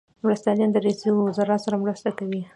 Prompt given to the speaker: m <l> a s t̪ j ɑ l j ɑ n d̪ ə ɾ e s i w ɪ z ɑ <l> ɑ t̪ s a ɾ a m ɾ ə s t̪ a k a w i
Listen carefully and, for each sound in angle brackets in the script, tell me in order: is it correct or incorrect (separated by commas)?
incorrect, incorrect